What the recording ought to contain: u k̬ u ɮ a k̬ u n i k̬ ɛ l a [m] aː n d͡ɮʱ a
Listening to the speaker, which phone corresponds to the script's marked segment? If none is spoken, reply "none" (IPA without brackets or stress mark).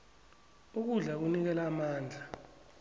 m